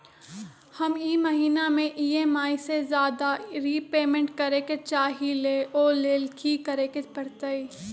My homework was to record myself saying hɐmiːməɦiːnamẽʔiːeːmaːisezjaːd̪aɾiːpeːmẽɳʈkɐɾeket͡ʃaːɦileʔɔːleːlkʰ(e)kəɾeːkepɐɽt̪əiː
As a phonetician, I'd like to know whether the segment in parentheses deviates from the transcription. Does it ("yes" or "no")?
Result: yes